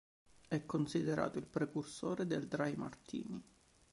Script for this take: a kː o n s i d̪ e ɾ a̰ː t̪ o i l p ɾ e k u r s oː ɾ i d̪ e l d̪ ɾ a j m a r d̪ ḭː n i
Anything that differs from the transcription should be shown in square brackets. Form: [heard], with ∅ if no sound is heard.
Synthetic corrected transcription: [ɛ] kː o n s i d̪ e ɾ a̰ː t̪ o i l p ɾ e k u r s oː ɾ [e] d̪ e l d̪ ɾ a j m a r [t̪] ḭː n i

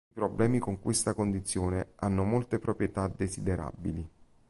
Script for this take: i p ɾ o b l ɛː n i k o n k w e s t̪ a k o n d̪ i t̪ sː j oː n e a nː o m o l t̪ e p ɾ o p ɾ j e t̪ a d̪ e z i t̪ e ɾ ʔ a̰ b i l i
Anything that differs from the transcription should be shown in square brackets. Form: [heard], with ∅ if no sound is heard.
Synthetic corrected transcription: i p ɾ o b l ɛː [m] i k o [ŋ] k w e s t̪ a k o n d̪ i t̪ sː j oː n e a nː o m o l t̪ e p ɾ o p ɾ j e t̪ a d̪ e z i [d̪] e ɾ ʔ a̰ b i l i

